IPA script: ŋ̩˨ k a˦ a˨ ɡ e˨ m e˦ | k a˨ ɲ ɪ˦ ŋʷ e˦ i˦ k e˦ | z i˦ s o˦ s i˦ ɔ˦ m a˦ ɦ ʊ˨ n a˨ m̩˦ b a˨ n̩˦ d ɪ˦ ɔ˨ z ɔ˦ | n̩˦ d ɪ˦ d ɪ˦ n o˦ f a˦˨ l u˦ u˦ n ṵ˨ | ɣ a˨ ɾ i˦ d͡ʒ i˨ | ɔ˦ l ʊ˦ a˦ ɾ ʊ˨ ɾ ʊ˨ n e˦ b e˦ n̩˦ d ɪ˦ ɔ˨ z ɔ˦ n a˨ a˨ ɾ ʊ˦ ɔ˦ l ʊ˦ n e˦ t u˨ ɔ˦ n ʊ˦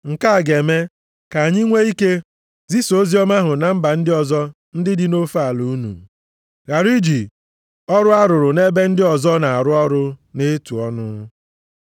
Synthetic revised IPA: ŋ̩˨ k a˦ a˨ ɡ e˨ m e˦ | k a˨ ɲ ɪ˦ ŋʷ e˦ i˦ k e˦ | z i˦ s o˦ z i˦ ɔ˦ m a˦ ɦ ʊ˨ n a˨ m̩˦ b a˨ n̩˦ d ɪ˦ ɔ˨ z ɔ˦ | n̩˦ d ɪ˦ d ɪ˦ n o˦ f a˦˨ l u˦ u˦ n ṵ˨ | ɣ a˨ ɾ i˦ d͡ʒ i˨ | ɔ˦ ɾ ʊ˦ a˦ ɾ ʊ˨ ɾ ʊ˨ n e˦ b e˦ n̩˦ d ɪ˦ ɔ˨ z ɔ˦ n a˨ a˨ ɾ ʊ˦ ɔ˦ ɾ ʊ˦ n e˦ t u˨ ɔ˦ n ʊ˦